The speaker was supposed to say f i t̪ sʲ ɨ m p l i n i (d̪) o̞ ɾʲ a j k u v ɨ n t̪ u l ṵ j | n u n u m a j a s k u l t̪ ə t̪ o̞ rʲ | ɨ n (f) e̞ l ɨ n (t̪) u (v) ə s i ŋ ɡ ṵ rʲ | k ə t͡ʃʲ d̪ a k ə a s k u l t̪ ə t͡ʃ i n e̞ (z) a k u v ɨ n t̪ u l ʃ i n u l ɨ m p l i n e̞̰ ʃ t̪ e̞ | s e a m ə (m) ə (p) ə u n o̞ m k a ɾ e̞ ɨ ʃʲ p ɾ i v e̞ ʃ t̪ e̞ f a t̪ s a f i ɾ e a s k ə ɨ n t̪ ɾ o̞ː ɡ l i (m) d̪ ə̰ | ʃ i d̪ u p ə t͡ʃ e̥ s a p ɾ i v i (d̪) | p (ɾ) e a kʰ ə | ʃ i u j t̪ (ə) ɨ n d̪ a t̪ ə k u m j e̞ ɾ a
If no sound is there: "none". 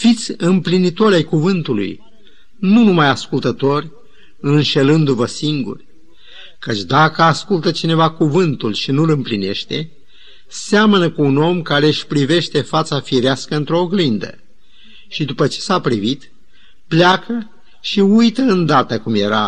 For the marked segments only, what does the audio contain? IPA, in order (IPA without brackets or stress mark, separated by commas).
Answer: t̪, ʃ, d̪, v, v, n, k, n, t̪, l, ə